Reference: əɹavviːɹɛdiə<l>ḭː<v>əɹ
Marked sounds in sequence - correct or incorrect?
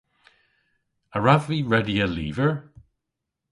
correct, correct

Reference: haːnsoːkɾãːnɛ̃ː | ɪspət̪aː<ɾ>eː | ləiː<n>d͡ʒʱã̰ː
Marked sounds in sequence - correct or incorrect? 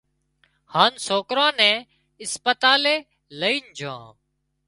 incorrect: l, correct

